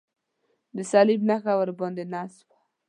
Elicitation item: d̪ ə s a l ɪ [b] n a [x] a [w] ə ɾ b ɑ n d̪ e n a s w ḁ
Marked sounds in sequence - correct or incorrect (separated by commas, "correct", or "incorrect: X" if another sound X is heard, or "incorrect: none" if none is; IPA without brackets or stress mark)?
correct, correct, correct